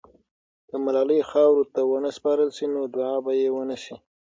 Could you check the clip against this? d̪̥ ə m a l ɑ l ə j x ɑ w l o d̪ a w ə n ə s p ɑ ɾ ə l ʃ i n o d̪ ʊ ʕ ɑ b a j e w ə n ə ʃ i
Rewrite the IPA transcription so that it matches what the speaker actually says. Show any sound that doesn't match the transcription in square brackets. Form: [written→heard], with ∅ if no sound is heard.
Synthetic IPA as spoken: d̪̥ ə m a l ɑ l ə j x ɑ w [l→ɾ] o [d̪→t̪] a w ə n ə s p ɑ ɾ ə l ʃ i n o d̪ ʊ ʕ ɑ b a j e w ə n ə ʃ i